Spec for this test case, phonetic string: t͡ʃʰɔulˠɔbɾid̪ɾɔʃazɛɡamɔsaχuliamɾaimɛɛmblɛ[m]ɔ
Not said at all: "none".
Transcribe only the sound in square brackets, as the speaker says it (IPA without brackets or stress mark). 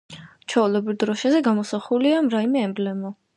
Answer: m